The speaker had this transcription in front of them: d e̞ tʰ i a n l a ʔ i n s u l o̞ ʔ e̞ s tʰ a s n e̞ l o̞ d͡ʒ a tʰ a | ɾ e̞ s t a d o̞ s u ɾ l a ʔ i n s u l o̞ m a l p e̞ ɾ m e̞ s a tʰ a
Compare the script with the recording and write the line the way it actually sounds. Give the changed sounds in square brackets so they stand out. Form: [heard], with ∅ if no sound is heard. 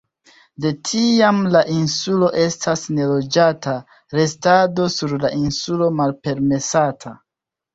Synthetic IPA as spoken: d e̞ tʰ i a [m] l a ʔ i n s u l o̞ ʔ e̞ s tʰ a s n e̞ l o̞ d͡ʒ a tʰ a | ɾ e̞ s t a d o̞ s u ɾ l a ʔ i n s u l o̞ m a l p e̞ ɾ m e̞ s a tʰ a